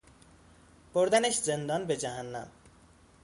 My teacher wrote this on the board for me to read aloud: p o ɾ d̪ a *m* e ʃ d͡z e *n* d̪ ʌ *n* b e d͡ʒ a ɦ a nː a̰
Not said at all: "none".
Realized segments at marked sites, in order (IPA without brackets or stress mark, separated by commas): n, n, n